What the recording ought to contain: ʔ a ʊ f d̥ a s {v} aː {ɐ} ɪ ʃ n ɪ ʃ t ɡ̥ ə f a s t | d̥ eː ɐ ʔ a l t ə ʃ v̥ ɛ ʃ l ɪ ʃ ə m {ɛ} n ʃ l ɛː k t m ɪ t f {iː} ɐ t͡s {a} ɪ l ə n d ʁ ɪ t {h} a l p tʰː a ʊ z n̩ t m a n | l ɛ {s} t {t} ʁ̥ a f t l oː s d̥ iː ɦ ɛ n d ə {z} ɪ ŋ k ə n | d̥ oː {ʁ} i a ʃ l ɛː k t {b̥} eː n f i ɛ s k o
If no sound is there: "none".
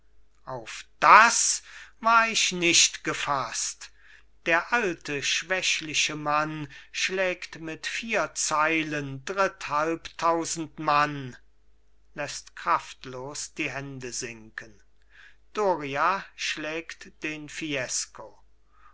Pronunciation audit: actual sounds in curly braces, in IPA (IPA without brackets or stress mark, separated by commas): v, ɐ, a, iː, a, h, s, k, z, ʁ, d̥